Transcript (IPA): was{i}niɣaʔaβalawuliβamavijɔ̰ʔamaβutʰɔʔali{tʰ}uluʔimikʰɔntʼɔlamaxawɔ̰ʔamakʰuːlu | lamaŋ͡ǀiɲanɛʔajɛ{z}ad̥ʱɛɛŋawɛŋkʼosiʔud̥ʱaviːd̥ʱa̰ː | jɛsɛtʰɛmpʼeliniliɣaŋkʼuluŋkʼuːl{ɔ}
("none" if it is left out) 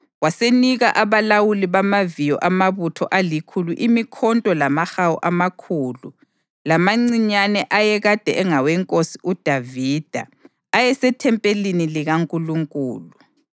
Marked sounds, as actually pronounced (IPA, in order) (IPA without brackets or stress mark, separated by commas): e, kʰ, ɣ, u